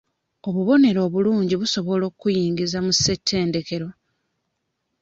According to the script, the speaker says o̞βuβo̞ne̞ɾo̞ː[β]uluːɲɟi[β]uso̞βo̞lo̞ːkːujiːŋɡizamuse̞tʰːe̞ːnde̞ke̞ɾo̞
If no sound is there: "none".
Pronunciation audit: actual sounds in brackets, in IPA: β, β

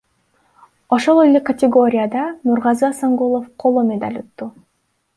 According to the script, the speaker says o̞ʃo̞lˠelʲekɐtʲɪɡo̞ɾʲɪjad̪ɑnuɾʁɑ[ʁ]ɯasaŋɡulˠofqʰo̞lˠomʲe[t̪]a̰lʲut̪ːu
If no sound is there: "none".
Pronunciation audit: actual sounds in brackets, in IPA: z, d̪

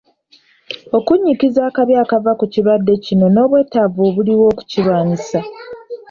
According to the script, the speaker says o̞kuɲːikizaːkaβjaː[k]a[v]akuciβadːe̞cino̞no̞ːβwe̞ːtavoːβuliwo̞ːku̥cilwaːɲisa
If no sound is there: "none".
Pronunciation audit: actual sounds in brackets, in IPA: k, v

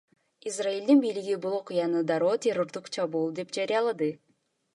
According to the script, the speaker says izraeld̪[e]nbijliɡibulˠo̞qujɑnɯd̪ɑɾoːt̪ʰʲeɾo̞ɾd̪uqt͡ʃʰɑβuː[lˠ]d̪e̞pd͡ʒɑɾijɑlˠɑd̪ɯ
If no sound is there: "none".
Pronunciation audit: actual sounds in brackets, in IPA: i, lˠ

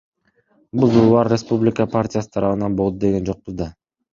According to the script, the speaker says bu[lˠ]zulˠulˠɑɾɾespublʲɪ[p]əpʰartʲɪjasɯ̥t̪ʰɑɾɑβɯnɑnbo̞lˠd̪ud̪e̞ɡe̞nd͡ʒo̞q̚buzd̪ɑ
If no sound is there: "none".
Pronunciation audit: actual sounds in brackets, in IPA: none, k

